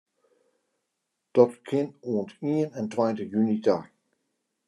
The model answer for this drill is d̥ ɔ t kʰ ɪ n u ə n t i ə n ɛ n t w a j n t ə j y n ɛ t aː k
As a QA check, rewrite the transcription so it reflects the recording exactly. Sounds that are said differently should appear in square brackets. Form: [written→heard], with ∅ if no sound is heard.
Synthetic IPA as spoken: d̥ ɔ t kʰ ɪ n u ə n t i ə n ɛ n t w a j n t ə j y n [ɛ→i] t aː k